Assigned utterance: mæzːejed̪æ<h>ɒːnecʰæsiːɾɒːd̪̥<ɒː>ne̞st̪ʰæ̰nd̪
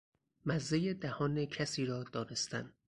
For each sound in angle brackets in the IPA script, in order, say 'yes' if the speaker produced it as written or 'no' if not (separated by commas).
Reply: yes, yes